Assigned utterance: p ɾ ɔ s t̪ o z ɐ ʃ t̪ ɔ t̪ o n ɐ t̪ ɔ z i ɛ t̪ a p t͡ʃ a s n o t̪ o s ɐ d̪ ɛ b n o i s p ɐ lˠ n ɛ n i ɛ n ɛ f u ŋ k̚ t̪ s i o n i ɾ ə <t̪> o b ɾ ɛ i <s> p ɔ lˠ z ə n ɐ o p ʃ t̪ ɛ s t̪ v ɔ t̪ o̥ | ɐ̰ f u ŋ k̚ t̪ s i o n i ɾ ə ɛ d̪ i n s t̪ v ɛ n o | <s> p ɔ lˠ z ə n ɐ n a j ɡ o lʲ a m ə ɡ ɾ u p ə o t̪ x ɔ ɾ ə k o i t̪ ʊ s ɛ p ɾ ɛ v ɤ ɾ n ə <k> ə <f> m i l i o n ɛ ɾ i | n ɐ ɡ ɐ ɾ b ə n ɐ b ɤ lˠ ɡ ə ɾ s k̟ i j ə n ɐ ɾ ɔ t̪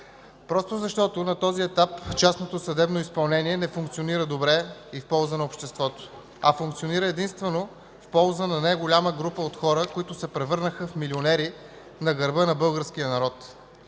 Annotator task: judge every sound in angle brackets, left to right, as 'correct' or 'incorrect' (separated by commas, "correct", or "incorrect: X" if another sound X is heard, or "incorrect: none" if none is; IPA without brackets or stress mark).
incorrect: d̪, incorrect: f, incorrect: f, incorrect: x, correct